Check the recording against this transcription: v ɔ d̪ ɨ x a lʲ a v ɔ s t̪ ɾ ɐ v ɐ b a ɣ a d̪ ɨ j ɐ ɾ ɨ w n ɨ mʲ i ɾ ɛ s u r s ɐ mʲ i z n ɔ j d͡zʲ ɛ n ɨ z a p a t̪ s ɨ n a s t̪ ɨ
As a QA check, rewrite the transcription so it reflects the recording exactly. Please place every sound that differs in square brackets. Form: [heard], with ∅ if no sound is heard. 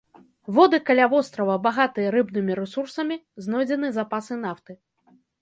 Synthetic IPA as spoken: v ɔ d̪ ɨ [k] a lʲ a v ɔ s t̪ ɾ ɐ v ɐ b a ɣ a [t̪] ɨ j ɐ ɾ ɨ [b] n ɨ mʲ i ɾ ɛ s u r s ɐ mʲ i z n ɔ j d͡zʲ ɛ n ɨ z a p a [∅] s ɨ n a [f] t̪ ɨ